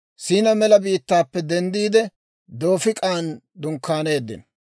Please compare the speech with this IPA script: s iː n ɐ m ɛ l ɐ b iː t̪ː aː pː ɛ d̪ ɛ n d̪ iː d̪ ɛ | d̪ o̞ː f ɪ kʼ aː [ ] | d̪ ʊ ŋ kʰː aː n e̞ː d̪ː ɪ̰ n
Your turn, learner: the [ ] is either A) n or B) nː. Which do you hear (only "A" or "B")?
A